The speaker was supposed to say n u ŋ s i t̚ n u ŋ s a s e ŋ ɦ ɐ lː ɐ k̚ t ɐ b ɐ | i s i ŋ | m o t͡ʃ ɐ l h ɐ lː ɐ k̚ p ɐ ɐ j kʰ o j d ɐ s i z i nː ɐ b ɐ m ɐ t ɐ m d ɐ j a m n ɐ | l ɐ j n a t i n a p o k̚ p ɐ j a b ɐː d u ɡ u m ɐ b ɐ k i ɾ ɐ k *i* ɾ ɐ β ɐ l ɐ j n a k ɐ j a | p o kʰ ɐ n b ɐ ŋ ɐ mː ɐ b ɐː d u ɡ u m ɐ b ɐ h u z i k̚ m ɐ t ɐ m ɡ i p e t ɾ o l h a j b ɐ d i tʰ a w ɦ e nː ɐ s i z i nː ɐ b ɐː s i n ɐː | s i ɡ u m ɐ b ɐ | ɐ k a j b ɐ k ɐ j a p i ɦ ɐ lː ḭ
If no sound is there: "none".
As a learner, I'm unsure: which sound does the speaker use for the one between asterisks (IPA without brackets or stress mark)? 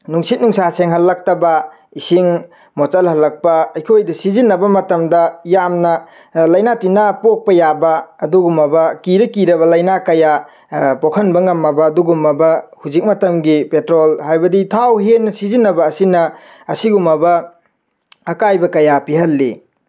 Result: i